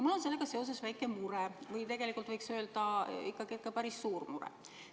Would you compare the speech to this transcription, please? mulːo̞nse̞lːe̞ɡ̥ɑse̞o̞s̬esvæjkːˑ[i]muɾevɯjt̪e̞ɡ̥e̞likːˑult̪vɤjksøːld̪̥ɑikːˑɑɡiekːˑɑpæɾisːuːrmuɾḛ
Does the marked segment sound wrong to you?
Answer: yes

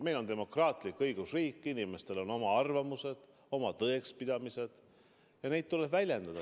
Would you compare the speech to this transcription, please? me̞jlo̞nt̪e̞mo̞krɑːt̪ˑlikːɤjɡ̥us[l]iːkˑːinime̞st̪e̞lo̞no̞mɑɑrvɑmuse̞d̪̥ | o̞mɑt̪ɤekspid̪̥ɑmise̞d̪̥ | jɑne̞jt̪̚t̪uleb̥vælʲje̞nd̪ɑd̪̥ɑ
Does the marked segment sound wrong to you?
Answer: yes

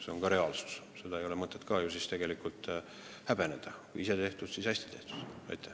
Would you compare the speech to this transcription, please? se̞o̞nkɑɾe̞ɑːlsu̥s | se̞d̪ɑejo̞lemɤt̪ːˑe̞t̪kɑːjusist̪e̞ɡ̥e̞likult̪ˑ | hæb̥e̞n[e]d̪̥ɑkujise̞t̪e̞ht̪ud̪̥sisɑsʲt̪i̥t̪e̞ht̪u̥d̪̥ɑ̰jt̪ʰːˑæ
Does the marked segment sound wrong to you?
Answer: no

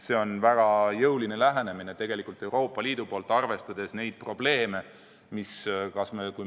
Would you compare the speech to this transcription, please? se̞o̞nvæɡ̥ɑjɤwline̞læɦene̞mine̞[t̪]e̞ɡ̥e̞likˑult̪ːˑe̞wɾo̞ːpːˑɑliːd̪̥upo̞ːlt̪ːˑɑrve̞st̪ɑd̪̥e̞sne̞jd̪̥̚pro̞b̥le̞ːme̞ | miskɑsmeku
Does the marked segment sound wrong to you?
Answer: no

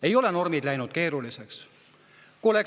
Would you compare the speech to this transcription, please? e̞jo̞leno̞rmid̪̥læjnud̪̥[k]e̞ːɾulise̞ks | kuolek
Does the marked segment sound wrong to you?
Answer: no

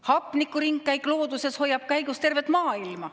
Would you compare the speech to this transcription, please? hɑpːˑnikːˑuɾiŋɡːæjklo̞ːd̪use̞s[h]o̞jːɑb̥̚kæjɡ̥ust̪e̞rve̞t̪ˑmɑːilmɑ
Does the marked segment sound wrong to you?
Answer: no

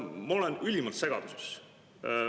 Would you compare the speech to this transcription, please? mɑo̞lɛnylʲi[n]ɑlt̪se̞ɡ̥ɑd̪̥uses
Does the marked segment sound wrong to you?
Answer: yes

